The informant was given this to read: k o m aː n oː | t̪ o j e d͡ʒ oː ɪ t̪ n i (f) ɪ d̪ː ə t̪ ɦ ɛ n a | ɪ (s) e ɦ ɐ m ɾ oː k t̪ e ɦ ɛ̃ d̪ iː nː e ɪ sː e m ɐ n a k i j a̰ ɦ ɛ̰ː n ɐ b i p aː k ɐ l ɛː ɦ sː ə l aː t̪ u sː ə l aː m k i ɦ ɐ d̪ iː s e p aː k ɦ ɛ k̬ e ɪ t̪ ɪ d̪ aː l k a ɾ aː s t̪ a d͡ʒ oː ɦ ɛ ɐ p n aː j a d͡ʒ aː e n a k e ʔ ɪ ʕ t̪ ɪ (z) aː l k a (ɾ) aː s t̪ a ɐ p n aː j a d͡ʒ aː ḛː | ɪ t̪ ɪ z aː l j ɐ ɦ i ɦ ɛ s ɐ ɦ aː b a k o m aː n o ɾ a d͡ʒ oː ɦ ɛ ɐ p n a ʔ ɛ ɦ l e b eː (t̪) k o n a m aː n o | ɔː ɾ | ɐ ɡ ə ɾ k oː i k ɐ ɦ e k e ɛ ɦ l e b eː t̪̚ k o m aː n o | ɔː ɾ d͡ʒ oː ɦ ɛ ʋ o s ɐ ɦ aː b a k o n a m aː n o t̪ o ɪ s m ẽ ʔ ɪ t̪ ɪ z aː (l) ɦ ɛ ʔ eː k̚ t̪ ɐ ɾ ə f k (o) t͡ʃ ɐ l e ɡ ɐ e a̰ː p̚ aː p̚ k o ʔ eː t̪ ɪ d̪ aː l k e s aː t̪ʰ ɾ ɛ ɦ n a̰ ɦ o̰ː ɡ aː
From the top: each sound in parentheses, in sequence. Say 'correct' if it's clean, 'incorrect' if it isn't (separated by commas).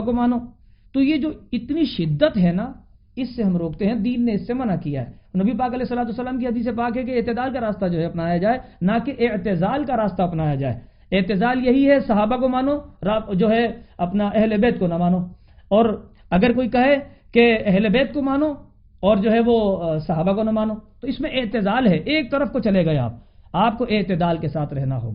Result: incorrect, incorrect, correct, correct, correct, correct, correct